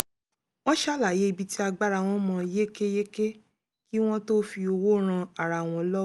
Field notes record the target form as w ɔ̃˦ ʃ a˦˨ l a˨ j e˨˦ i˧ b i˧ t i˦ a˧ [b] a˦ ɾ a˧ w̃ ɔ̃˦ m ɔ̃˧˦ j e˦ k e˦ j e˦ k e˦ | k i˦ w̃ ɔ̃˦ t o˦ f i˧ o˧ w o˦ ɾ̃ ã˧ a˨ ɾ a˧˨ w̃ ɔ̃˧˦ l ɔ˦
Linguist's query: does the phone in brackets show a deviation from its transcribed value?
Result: yes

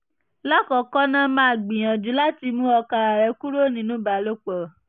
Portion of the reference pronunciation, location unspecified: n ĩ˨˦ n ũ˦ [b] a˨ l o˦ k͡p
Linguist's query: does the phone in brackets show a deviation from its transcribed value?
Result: no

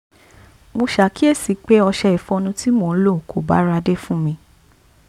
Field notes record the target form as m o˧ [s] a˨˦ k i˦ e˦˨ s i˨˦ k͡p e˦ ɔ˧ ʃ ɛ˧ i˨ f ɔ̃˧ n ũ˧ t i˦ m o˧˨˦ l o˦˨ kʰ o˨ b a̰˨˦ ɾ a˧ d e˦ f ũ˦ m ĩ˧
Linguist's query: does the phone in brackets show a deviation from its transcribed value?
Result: yes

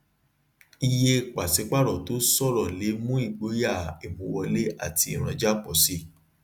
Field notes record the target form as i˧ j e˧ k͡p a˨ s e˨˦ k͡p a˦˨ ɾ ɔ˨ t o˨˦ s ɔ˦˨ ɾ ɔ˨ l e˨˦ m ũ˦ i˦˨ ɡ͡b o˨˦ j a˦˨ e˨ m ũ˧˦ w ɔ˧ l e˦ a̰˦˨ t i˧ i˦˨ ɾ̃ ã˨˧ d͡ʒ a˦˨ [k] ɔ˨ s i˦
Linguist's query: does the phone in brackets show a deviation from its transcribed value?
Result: yes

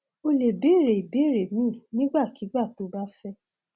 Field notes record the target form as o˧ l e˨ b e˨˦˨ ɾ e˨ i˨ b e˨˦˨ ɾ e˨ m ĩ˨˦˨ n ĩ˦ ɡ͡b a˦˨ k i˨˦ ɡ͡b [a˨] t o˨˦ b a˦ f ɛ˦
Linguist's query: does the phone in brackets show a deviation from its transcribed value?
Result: yes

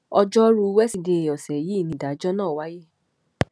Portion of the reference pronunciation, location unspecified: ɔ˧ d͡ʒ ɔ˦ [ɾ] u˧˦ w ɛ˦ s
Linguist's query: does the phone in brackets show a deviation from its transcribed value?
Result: no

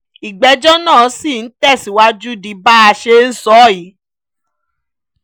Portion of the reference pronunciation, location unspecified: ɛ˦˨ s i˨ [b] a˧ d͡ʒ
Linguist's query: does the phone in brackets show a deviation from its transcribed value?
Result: yes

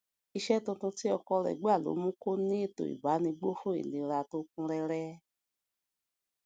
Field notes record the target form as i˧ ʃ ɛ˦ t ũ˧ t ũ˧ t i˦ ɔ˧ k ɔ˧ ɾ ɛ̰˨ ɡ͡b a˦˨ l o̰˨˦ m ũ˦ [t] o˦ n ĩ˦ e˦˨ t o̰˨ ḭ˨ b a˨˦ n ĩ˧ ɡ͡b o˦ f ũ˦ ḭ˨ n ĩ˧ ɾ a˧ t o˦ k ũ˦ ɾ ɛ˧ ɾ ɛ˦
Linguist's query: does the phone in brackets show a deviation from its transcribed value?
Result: yes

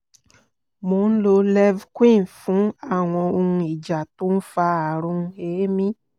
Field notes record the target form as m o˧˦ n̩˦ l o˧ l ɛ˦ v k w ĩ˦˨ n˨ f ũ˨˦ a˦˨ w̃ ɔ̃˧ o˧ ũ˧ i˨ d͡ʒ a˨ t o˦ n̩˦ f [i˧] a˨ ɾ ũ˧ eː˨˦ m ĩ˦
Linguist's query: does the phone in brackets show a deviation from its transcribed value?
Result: yes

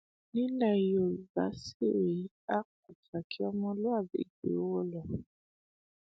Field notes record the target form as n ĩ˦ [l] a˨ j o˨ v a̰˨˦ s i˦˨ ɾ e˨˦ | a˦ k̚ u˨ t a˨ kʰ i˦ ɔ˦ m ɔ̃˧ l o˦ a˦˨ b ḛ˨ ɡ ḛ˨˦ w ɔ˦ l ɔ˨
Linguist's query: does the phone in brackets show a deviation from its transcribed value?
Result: no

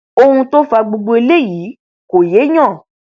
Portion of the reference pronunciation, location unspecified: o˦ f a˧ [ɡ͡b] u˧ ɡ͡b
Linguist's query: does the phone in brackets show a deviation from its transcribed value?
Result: no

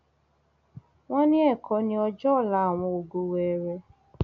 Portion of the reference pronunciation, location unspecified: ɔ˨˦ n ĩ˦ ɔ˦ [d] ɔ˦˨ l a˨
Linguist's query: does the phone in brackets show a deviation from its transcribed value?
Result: yes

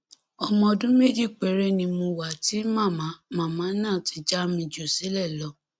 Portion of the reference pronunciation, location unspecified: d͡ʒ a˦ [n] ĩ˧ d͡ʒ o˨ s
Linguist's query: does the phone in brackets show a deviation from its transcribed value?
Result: yes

